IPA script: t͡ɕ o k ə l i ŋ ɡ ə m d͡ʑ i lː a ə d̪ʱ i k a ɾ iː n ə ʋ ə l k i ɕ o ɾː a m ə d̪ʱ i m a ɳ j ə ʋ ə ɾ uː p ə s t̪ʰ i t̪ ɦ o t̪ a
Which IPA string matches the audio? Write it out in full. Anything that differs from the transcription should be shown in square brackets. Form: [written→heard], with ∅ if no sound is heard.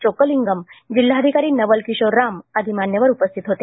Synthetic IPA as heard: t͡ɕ o k ə l i ŋ ɡ ə m d͡ʑ i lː a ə d̪ʱ i k a ɾ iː n ə ʋ ə l k i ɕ o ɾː a m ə d̪ʱ i m a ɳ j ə ʋ ə ɾ [uː→u] p ə s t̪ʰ i t̪ ɦ o t̪ [a→e]

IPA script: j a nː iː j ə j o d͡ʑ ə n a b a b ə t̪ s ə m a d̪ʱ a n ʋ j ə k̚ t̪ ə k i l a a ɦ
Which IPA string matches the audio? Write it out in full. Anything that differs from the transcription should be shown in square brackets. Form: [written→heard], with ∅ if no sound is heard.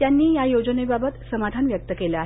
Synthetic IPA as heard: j a nː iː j [ə→a] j o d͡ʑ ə n [a→e] b a b ə t̪ s ə m a d̪ʱ a n ʋ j ə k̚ t̪ ə k [i→e] l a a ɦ

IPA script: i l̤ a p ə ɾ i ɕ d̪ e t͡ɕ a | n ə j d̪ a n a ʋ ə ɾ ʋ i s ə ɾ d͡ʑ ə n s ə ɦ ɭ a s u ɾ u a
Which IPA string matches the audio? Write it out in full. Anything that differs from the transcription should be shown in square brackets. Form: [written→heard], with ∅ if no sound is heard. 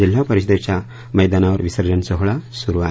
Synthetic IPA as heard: i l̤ a p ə ɾ i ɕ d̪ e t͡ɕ a | [n→m] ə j d̪ a n a ʋ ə ɾ ʋ i s ə ɾ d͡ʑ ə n s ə ɦ ɭ a s u ɾ u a

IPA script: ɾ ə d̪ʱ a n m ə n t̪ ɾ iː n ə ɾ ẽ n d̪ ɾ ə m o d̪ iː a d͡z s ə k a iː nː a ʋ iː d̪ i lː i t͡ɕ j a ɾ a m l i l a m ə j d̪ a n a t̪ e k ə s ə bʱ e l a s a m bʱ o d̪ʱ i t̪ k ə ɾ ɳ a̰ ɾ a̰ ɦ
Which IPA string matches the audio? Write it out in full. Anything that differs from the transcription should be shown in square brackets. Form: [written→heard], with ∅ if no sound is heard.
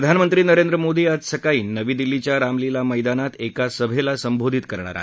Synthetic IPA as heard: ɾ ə d̪ʱ a n m ə n t̪ ɾ iː n ə ɾ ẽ n d̪ ɾ ə m o d̪ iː a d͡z s ə k a iː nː [a→ə] ʋ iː d̪ i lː i t͡ɕ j a ɾ a m l i l a m ə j d̪ a n a t̪ e k [ə→a] s ə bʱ e l a s [a→ə] m bʱ o d̪ʱ i t̪ k ə ɾ ɳ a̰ ɾ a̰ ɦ

